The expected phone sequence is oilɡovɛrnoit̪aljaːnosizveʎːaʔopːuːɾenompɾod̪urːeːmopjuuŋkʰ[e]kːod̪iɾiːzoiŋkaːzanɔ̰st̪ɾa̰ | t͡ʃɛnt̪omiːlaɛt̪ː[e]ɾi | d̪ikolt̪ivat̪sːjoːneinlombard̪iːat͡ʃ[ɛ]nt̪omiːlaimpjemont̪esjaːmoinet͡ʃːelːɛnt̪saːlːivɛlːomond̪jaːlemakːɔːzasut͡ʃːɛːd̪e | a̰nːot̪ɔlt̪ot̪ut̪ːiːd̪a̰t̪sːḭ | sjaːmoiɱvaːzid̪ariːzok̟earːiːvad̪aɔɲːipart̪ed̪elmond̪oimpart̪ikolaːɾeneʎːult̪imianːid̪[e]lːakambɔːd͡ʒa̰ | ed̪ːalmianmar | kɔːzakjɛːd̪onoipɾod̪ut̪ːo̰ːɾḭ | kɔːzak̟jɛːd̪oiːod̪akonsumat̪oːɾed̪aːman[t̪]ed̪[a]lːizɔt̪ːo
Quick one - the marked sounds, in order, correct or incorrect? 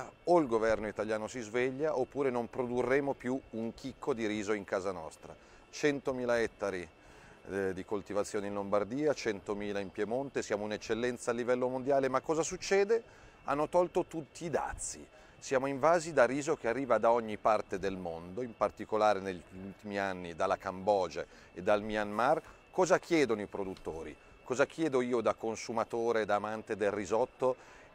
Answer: incorrect, incorrect, correct, incorrect, correct, incorrect

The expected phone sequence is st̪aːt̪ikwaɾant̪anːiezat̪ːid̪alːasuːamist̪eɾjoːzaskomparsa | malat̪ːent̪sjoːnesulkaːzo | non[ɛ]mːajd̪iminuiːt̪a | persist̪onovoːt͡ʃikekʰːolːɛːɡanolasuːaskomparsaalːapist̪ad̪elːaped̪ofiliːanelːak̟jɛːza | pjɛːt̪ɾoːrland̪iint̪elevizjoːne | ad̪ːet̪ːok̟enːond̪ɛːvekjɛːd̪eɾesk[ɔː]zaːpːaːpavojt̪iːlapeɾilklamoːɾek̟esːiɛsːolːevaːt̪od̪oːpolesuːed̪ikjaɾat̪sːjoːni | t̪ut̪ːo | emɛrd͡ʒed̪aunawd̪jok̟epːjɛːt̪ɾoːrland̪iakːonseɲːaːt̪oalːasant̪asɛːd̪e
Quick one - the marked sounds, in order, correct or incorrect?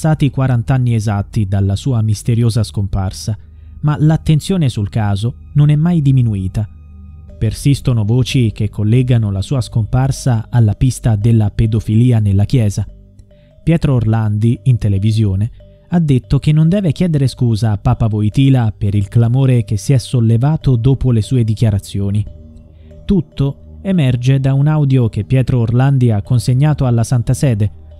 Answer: correct, incorrect

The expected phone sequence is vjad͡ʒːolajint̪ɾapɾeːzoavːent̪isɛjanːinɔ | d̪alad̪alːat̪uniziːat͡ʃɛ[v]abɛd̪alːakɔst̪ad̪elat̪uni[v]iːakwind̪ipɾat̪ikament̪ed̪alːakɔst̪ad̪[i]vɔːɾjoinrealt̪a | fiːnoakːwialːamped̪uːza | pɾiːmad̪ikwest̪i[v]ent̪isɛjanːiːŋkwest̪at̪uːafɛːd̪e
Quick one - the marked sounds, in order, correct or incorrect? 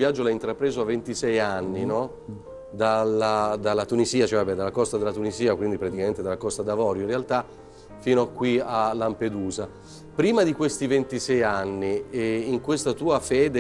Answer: correct, incorrect, incorrect, correct

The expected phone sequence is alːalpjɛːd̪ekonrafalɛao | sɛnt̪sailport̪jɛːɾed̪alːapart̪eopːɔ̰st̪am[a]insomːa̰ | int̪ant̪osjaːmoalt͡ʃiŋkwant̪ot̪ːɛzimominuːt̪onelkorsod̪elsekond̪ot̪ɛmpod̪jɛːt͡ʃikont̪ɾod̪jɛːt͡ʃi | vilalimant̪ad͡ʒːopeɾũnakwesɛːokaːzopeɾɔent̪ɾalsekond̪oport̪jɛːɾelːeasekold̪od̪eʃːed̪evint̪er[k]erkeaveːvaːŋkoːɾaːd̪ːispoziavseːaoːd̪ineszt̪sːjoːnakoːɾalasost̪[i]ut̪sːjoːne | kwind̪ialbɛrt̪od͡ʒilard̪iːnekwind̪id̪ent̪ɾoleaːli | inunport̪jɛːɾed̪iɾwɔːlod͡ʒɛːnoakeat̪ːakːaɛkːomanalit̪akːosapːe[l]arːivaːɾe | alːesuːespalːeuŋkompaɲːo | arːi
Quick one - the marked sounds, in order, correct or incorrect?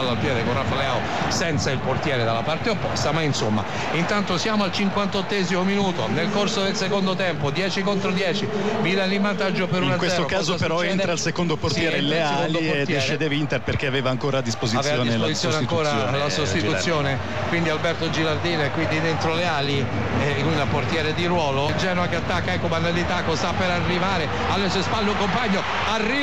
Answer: correct, incorrect, correct, incorrect

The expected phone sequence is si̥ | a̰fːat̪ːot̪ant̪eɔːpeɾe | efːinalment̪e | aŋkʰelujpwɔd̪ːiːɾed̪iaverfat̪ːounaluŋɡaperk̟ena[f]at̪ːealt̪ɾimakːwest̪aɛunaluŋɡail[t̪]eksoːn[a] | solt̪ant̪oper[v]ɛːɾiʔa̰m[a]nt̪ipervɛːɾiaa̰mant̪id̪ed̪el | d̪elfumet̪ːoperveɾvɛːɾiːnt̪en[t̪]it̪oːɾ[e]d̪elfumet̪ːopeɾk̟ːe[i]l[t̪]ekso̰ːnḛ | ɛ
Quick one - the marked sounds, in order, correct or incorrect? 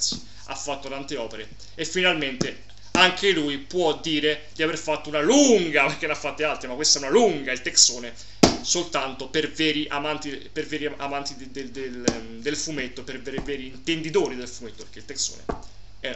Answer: incorrect, correct, incorrect, correct, correct, incorrect, incorrect, correct, correct

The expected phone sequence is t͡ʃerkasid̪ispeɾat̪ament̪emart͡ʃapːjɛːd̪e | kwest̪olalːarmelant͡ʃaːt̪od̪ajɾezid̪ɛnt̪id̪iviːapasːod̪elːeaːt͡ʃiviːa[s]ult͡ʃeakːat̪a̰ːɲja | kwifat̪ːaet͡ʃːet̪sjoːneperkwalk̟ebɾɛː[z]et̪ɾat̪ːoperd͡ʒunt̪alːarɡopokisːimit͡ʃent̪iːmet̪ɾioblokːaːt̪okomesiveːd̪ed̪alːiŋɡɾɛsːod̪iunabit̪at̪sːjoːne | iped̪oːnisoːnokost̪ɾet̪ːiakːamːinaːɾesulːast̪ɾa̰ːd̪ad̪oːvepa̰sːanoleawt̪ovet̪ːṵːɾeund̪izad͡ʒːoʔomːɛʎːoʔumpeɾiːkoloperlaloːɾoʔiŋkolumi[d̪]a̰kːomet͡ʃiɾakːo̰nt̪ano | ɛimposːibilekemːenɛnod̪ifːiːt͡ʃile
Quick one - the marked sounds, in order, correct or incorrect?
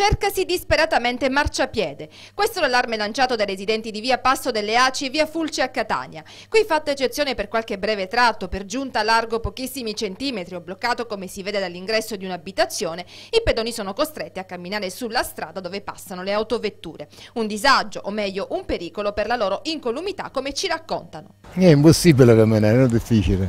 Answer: incorrect, incorrect, incorrect

